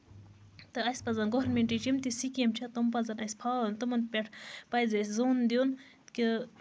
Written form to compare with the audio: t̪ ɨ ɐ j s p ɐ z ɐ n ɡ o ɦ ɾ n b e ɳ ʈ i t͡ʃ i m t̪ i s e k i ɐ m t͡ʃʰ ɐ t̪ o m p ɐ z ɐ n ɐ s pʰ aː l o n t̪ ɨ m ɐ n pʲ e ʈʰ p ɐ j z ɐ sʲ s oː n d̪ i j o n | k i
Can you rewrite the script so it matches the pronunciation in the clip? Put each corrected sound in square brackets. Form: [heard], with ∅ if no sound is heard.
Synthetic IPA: t̪ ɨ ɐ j s p ɐ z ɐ n ɡ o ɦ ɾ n [m] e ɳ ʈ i t͡ʃ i m t̪ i s [i] k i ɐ m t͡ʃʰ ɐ t̪ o m p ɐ z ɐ n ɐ s pʰ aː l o n t̪ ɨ m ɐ n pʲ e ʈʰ p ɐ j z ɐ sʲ [z] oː n d̪ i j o n | k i